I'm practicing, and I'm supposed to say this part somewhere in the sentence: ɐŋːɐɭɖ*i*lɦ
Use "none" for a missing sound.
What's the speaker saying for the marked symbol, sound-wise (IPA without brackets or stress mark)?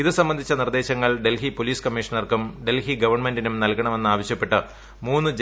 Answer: e